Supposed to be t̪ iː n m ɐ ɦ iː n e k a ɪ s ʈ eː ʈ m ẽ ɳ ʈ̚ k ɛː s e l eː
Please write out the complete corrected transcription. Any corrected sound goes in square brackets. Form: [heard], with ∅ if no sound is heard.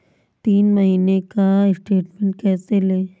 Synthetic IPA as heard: t̪ iː n m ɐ ɦ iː n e k a ɪ s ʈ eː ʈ m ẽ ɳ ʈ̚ k ɛː s e l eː